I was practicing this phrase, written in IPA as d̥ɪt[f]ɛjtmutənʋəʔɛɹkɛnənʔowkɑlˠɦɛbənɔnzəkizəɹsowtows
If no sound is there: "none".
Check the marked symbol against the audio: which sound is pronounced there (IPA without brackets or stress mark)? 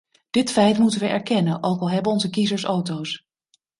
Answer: f